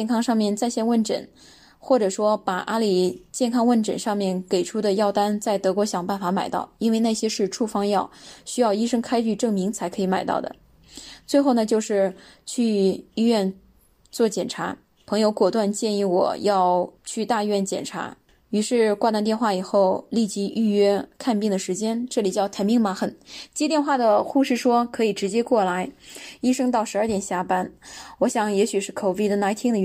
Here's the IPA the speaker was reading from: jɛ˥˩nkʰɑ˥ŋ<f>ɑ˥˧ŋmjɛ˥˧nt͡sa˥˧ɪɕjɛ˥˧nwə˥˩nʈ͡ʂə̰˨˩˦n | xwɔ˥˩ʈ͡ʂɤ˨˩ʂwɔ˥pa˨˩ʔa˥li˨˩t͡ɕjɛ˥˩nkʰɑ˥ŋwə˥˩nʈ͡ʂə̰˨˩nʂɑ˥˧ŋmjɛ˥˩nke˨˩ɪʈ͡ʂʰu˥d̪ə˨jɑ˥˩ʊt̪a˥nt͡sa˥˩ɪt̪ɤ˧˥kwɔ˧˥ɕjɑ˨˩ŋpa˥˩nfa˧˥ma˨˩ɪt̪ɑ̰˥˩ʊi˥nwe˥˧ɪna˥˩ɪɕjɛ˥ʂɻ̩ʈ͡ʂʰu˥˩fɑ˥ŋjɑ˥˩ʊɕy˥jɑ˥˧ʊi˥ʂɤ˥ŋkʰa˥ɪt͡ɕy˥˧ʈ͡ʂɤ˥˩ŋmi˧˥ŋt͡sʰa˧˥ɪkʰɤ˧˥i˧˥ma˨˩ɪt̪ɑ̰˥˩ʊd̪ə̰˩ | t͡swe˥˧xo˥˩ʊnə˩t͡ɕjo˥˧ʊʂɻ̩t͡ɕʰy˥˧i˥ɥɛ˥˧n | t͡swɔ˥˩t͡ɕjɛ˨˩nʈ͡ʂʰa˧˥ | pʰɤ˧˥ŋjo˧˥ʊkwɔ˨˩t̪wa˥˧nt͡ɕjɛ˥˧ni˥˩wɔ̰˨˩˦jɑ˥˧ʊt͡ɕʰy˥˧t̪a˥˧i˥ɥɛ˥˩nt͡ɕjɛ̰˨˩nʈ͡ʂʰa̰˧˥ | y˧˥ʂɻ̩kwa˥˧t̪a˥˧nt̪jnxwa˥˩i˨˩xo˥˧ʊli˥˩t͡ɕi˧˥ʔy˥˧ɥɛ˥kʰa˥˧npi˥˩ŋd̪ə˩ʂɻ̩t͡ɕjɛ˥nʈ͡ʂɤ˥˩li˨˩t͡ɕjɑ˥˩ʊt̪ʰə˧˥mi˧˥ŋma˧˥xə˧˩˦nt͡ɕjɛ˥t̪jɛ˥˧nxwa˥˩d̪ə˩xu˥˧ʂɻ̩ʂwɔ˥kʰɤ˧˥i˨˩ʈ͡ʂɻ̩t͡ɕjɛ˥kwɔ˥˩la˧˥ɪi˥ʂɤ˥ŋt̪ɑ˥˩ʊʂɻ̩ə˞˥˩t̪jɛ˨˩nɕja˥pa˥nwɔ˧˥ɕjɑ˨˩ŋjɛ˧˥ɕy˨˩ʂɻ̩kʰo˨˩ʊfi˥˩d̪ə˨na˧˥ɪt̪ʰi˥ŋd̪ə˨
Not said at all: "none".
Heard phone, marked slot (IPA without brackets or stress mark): ʂ